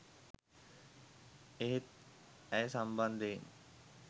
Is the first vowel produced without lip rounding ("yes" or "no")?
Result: yes